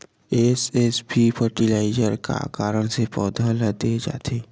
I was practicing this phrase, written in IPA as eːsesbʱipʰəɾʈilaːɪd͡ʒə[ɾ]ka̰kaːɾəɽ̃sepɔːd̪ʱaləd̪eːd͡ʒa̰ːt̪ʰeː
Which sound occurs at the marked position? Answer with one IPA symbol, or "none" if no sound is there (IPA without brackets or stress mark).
ɾ